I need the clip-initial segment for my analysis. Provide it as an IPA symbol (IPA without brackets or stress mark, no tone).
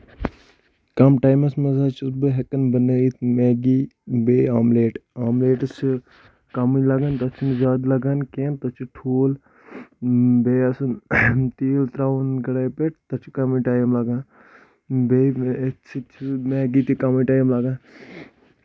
k